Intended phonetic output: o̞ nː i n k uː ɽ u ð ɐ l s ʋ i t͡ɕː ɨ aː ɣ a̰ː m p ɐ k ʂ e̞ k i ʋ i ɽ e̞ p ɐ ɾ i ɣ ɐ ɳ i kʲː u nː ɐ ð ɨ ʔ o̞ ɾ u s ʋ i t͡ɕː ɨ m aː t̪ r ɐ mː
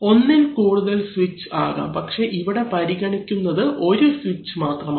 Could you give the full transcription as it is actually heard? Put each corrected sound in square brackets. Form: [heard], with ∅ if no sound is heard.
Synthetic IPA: o̞ nː i n k uː ɽ u ð ɐ l s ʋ i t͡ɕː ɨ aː ɣ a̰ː m p ɐ k ʂ e̞ [ʔ] i ʋ i ɽ e̞ p ɐ ɾ i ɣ ɐ ɳ i kʲː u nː ɐ ð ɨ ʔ o̞ ɾ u s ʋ i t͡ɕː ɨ m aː t̪ r ɐ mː